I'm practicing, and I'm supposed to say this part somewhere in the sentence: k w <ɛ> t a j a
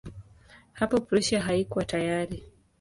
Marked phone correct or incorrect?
incorrect